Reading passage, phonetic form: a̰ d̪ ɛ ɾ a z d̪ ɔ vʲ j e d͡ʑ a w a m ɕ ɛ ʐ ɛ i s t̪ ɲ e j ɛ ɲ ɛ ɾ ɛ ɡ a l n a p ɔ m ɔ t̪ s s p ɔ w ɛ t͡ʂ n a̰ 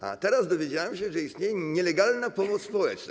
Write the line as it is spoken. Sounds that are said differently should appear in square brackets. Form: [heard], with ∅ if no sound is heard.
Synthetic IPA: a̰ [t̪] ɛ ɾ a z d̪ ɔ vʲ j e d͡ʑ a w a m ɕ ɛ ʐ ɛ i s t̪ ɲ e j ɛ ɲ ɛ [l] ɛ ɡ a l n a p ɔ m ɔ t̪ s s p ɔ w ɛ t͡ʂ n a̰